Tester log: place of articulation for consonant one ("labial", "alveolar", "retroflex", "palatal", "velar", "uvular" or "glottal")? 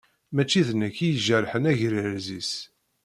labial